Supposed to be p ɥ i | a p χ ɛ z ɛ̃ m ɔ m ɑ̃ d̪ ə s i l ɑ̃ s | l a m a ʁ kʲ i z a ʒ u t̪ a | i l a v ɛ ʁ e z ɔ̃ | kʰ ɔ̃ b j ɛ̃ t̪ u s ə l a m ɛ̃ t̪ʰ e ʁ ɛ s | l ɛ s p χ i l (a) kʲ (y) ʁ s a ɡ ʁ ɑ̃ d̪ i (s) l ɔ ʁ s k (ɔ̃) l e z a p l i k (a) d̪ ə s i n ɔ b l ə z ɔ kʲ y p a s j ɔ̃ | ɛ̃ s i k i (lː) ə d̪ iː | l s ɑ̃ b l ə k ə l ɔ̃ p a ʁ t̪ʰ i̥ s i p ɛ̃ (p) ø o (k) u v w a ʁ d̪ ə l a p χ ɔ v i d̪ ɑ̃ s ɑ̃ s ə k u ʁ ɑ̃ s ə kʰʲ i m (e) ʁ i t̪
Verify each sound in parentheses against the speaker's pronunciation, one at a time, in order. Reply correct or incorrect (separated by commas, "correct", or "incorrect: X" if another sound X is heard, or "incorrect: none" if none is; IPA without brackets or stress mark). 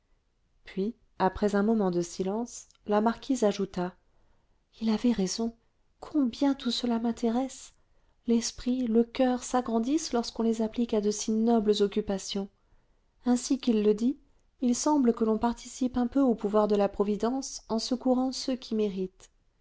incorrect: ə, incorrect: œ, correct, correct, correct, correct, correct, incorrect: p, correct